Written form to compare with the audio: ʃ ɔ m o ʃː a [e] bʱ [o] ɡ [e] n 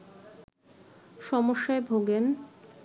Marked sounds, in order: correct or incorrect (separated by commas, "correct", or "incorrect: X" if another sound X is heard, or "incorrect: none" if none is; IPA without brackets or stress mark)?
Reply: correct, correct, correct